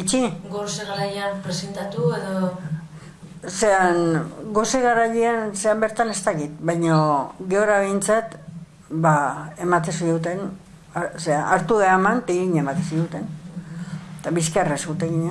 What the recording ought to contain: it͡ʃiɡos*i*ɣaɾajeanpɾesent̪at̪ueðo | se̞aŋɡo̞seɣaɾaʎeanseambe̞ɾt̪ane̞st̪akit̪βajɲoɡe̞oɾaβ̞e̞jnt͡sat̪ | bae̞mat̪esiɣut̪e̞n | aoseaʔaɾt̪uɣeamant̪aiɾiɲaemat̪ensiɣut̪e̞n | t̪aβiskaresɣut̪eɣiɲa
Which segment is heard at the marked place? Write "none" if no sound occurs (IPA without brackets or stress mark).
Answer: e